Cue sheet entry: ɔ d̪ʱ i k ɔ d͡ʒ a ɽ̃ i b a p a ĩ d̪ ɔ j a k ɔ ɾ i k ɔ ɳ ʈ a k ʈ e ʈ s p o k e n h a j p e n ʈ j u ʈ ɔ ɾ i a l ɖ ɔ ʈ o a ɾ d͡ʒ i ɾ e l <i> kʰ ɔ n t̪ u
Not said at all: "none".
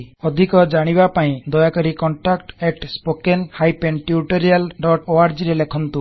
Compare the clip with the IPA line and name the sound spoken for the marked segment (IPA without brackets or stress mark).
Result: e